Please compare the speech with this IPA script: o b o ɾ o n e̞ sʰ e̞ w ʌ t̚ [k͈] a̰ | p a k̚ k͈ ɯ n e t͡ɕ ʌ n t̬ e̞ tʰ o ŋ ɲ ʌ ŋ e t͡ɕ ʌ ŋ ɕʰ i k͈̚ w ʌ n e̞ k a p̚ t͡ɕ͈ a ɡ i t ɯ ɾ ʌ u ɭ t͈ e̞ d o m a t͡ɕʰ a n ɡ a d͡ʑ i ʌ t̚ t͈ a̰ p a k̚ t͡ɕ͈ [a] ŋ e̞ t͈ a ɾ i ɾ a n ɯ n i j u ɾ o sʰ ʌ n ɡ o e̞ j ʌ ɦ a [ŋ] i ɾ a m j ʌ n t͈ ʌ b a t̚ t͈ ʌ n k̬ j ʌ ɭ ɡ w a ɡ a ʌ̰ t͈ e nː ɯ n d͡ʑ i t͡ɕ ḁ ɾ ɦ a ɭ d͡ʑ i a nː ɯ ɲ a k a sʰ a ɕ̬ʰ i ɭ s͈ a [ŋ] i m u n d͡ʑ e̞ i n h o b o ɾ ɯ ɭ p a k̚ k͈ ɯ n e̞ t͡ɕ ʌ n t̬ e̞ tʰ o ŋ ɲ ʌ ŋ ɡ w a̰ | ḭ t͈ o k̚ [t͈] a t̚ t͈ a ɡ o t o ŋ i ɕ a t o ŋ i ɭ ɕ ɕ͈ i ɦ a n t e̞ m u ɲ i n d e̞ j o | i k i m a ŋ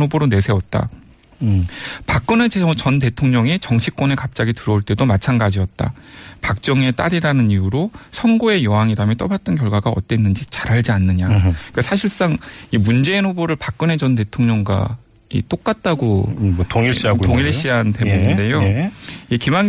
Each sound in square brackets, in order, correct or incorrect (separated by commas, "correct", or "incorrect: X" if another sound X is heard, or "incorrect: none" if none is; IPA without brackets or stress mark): incorrect: t͈, incorrect: ʌ, correct, correct, incorrect: k͈